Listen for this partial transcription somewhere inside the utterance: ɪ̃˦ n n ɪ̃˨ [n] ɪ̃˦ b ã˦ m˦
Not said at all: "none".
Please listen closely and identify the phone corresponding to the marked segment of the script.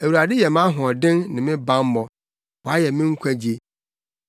m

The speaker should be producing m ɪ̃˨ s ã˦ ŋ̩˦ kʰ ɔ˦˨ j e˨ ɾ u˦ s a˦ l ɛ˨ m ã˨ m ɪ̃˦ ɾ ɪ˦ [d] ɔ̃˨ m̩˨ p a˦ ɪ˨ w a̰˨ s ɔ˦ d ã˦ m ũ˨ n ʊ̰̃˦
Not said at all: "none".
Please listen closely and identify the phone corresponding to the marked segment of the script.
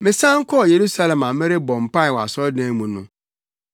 b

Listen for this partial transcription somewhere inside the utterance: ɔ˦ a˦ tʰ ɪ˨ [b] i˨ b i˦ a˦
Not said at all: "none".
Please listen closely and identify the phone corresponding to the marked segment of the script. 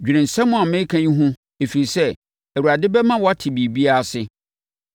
b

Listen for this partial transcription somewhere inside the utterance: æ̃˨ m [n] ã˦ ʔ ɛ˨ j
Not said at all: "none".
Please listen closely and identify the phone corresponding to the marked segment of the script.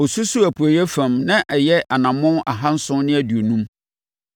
n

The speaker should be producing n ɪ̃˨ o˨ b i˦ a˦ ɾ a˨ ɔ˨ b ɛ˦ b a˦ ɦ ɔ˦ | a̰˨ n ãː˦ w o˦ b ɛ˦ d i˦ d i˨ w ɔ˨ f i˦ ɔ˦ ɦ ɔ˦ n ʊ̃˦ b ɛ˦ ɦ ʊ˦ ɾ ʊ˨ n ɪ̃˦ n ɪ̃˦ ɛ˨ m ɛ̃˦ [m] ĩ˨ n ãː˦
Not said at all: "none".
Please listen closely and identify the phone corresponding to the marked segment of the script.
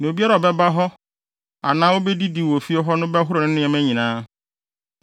ɲ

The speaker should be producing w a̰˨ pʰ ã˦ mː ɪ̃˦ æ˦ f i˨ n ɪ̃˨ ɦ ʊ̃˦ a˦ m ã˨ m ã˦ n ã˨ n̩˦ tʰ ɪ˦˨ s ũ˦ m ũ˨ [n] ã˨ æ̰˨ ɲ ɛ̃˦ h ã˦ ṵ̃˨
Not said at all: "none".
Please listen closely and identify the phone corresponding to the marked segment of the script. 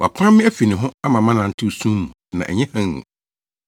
n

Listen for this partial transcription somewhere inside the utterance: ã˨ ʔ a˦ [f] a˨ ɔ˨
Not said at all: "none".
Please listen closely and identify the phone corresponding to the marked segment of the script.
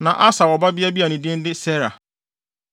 s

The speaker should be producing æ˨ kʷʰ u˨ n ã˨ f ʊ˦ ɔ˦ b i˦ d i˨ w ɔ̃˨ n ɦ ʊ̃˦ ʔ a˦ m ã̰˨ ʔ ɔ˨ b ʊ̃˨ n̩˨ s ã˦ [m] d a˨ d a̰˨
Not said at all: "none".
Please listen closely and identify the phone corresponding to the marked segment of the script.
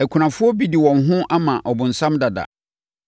m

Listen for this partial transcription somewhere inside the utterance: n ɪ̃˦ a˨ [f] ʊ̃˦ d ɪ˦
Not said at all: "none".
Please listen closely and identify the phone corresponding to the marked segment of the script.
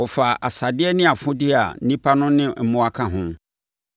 f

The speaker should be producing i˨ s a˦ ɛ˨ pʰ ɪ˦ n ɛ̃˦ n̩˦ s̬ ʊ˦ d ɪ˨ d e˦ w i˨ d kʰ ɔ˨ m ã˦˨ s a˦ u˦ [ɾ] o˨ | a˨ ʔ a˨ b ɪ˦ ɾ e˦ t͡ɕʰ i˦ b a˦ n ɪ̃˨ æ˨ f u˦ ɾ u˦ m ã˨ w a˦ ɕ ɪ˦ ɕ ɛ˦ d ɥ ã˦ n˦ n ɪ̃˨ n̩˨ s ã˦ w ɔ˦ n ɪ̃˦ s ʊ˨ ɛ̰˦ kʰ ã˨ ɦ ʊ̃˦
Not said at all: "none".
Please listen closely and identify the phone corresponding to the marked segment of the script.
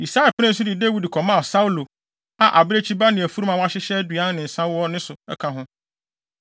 l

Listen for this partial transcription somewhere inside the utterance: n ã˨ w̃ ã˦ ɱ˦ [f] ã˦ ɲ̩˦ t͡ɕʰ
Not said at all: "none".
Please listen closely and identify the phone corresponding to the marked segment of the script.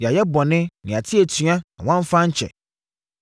f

